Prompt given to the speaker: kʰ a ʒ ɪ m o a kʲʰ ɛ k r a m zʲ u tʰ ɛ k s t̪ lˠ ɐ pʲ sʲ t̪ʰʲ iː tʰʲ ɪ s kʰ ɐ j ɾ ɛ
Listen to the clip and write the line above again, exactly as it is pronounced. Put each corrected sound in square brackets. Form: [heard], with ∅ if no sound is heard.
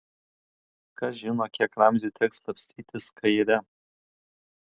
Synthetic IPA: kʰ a ʒ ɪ [n] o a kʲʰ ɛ k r a m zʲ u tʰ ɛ k s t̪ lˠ ɐ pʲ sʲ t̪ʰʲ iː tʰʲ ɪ s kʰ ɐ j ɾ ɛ